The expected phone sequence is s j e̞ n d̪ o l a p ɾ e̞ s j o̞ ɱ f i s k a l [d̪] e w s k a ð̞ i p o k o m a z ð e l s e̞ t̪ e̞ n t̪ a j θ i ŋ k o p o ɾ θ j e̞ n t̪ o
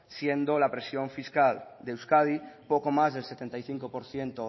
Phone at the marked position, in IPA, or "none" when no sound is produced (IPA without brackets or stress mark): d̪